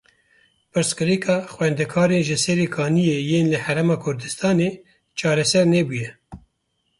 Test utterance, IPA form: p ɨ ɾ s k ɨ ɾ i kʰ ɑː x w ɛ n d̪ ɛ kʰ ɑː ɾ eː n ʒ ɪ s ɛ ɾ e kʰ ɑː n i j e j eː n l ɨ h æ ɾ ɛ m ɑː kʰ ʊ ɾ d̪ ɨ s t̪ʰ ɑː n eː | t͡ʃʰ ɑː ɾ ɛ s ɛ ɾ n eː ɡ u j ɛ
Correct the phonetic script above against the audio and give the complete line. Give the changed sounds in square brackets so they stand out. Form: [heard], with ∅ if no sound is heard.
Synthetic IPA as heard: p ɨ ɾ s k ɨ ɾ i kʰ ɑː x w ɛ n d̪ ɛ kʰ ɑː ɾ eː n ʒ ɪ s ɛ ɾ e kʰ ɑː n i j e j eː n l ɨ h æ ɾ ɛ m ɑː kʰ ʊ ɾ d̪ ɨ s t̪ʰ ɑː n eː | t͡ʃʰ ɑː ɾ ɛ s ɛ ɾ n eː [b] u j ɛ